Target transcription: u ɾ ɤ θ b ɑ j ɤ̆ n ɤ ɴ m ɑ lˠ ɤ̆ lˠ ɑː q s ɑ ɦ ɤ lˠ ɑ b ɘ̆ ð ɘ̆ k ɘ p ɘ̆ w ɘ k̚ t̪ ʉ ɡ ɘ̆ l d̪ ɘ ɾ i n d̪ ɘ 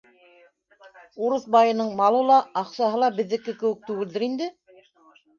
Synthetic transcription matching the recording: u ɾ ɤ θ b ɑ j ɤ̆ n ɤ ɴ m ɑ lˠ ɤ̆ lˠ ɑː q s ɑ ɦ ɤ lˠ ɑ b ɘ̆ ðː ɘ̆ k ɘ k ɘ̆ w ɘ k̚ t̪ ʉ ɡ ɘ̆ l d̪ ɘ ɾ i n d̪ ɘ